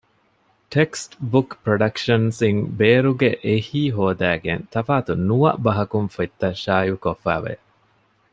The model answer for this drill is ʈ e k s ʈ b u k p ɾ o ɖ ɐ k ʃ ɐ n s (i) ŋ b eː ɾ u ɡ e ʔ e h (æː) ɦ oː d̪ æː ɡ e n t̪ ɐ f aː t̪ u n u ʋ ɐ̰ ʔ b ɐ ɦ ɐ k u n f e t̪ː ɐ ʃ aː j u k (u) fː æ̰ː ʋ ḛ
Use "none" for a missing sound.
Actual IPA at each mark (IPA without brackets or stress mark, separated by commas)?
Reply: i, iː, o